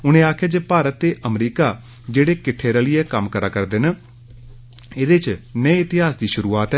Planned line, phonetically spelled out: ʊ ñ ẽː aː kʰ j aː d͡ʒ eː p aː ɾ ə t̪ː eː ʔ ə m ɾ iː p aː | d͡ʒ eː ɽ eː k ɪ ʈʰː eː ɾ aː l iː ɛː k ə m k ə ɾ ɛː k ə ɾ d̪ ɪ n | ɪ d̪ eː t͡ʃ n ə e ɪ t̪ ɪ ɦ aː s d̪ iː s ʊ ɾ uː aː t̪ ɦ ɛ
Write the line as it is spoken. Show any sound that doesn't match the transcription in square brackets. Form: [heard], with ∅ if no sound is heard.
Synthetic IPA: ʊ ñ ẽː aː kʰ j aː d͡ʒ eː p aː ɾ ə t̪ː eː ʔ ə m ɾ iː [k] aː | d͡ʒ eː ɽ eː k ɪ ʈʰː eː ɾ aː l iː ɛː k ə m k ə ɾ [aː] k ə ɾ d̪ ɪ n | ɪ d̪ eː t͡ʃ n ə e ɪ t̪ ɪ ɦ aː s d̪ iː [ʃ] ʊ ɾ uː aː t̪ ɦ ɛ